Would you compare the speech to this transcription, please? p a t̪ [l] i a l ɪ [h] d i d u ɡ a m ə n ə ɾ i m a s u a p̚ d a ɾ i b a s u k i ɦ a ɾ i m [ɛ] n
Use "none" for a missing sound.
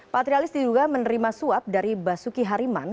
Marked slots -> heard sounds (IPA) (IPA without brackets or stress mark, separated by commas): ɾ, s, a